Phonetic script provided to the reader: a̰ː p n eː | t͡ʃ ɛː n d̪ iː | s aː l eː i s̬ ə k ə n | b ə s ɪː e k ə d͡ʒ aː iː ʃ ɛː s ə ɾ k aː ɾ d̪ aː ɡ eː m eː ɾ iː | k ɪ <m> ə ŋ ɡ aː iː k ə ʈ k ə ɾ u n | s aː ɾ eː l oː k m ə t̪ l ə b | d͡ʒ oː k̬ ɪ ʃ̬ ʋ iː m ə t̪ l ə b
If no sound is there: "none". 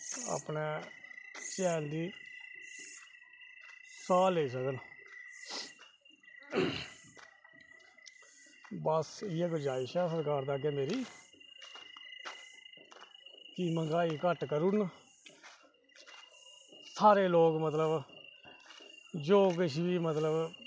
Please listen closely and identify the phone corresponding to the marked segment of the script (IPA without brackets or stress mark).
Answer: m